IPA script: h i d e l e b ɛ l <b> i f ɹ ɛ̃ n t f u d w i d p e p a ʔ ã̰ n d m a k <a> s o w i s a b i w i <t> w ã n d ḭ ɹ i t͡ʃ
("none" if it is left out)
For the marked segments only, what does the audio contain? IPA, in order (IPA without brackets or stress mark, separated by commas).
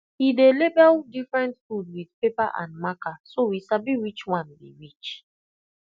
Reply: d, a, t͡ʃ